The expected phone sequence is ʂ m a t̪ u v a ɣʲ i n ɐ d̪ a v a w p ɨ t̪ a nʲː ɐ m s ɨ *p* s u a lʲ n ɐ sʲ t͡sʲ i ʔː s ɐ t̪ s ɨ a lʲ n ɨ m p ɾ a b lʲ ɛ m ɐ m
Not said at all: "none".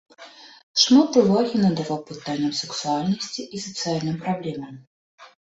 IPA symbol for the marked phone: k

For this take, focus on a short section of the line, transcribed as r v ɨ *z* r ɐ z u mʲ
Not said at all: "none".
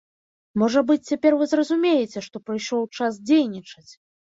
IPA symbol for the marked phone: z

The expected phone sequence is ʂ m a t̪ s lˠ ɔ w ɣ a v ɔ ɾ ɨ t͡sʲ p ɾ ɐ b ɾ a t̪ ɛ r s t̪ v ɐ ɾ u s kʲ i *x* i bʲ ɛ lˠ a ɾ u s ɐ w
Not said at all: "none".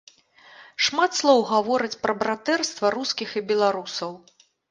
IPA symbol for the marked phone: x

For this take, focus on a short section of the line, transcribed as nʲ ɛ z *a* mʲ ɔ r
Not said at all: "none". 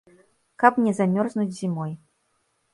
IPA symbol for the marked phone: a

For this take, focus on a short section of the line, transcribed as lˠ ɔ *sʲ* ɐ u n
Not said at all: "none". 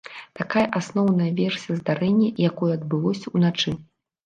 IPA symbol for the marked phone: sʲ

